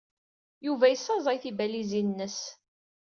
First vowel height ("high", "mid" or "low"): high